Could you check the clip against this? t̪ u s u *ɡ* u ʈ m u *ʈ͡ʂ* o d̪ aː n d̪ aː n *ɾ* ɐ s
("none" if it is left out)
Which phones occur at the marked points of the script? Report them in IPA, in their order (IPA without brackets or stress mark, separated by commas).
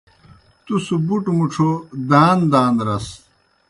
b, ʈ͡ʂʰ, ɾ